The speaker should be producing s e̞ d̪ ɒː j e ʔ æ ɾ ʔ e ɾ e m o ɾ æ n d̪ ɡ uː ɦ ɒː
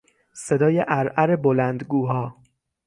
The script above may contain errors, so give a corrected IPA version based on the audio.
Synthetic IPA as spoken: s e̞ d̪ ɒː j e ʔ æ ɾ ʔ æ ɾ e b o l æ n d̪ ɡ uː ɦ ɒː